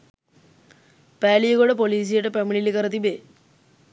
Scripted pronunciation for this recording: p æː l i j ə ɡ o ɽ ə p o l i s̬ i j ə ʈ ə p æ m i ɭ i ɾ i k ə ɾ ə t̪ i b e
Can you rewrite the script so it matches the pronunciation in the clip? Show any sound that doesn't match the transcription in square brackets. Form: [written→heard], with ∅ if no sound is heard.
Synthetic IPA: p æː l i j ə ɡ o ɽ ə p o l [i→iː] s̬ i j ə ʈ ə p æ m i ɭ i [ɾ→l] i k ə ɾ ə t̪ i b e